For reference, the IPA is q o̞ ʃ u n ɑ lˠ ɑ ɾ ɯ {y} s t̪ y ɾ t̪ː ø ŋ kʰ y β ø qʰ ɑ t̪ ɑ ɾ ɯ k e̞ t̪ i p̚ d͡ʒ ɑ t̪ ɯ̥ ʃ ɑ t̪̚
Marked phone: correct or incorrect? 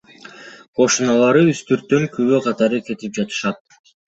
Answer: correct